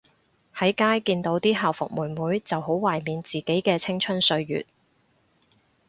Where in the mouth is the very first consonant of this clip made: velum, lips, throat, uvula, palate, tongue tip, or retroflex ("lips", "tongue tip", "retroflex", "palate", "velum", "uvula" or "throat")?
throat